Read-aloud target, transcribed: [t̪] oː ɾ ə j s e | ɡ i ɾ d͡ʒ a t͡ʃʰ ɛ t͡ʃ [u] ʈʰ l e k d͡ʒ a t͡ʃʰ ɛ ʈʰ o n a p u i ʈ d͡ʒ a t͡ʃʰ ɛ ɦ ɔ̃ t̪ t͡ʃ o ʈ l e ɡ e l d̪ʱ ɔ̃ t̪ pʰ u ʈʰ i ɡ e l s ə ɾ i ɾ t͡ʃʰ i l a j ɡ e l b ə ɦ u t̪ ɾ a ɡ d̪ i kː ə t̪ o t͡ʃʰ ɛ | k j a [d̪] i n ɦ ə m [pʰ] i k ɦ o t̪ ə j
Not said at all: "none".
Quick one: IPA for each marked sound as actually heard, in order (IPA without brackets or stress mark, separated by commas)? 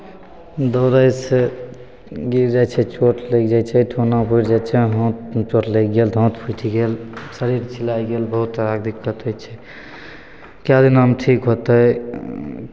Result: d̪, o, d̪, ʈʰ